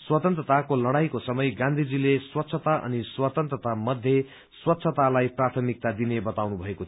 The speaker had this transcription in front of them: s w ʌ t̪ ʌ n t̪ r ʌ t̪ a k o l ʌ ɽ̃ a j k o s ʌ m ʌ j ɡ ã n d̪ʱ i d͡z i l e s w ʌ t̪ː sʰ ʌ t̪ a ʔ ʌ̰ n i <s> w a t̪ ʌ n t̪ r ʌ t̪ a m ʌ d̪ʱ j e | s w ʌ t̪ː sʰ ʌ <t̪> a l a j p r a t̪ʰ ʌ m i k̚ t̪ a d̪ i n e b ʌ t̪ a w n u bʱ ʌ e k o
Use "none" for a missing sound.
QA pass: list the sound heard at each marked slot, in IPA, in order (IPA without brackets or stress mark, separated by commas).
s, t̪